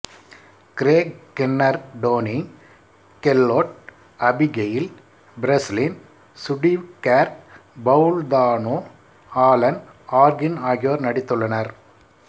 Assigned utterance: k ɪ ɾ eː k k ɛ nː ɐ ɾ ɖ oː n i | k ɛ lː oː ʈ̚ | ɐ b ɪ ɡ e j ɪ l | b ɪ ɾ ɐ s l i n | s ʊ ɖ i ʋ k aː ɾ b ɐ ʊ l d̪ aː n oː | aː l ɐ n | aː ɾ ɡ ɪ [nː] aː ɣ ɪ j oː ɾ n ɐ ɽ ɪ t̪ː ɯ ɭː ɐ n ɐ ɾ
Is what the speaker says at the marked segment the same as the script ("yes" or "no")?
no